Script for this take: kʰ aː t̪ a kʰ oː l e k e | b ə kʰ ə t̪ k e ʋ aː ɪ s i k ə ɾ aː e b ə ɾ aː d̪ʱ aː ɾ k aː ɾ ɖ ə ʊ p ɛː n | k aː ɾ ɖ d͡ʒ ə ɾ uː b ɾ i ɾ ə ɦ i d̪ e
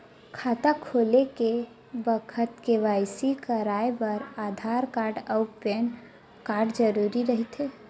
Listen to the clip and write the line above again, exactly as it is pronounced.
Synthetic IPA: kʰ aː t̪ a kʰ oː l e k e | b ə kʰ ə t̪ k e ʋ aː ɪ s i k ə ɾ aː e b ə ɾ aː d̪ʱ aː ɾ k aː ɾ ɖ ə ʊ p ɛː n | k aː ɾ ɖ d͡ʒ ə ɾ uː ɾ i ɾ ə ɦ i t̪ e